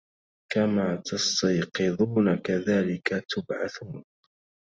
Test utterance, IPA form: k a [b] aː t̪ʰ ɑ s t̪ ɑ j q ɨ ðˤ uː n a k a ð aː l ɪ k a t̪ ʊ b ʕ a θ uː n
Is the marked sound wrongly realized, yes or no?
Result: yes